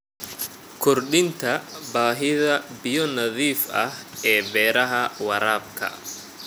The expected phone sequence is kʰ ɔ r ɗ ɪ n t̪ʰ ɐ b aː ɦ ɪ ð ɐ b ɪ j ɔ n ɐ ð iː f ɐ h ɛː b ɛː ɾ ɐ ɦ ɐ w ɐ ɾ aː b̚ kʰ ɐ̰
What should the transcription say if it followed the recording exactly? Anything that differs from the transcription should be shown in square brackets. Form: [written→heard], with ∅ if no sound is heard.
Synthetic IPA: kʰ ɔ r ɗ ɪ n t̪ʰ ɐ b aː ɦ ɪ ð ɐ b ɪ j ɔ n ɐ ð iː f ɐ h ɛː b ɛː ɾ ɐ ɦ ɐ w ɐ ɾ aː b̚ kʰ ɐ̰